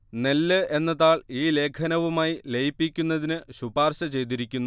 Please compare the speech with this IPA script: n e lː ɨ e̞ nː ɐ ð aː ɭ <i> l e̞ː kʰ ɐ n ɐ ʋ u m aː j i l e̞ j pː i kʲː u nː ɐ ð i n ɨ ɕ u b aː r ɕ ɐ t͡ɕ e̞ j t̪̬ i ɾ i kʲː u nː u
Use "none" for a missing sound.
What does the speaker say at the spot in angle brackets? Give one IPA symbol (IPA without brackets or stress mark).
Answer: iː